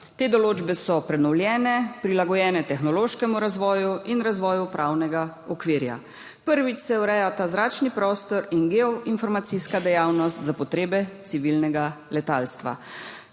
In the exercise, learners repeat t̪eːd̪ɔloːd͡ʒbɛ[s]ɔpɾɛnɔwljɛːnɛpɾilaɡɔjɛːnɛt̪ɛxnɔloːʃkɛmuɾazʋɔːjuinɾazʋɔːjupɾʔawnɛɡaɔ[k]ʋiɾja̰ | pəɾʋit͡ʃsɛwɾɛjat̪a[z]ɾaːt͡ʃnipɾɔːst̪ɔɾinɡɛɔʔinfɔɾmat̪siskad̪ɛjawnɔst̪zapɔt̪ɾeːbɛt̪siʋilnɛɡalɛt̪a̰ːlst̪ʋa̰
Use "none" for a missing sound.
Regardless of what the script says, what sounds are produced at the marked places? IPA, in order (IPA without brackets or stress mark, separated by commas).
s, k, z